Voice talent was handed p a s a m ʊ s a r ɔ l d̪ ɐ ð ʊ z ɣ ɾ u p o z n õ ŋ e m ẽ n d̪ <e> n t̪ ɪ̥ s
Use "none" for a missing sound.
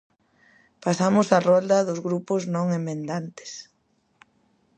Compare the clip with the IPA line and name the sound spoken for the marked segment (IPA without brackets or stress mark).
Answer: a